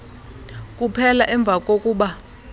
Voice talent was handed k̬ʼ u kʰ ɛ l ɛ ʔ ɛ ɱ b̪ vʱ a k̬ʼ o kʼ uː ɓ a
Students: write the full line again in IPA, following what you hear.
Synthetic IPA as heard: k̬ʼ u pʰ ɛ l a ʔ ɛ ɱ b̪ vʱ a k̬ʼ o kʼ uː ɓ a